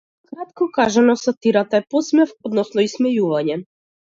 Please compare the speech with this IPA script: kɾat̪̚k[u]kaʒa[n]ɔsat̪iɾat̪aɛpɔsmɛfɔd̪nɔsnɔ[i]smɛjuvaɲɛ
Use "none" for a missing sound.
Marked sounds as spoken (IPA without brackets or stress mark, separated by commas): ɔ, n, i